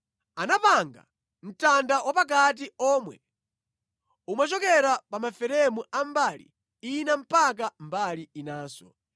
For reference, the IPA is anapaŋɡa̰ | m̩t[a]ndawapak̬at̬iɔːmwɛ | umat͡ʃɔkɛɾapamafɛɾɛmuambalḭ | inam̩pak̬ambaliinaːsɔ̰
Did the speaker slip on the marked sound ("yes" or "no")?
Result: no